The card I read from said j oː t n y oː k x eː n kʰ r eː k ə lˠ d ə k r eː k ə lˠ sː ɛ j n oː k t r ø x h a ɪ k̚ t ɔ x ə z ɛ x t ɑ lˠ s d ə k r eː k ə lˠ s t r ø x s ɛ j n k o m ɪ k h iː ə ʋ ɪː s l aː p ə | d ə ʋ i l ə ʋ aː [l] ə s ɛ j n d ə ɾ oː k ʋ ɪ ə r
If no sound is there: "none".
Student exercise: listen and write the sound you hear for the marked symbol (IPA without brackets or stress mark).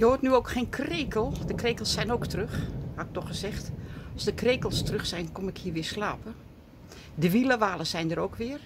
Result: l